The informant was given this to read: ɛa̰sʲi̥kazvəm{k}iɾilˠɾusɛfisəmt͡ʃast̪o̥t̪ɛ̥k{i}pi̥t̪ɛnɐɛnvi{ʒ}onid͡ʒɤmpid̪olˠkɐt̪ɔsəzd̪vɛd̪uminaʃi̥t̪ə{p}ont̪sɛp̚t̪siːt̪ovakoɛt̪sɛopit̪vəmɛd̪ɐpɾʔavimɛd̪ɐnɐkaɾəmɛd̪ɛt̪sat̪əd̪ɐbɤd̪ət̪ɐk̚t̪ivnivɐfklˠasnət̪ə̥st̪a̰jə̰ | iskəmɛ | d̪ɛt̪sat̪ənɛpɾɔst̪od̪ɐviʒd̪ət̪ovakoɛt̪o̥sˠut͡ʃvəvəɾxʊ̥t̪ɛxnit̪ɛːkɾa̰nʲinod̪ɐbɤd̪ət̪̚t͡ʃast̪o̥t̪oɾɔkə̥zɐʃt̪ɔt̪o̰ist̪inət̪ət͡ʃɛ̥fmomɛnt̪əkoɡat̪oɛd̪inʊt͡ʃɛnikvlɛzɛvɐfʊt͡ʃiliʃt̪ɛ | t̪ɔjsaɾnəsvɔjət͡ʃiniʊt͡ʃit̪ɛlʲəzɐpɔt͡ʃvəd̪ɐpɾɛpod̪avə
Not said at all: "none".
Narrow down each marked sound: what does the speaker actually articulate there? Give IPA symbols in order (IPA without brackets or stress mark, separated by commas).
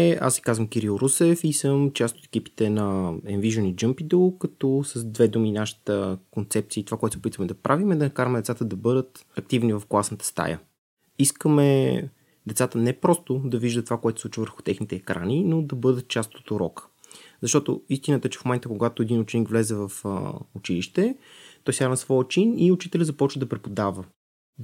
k, i, ʒ, k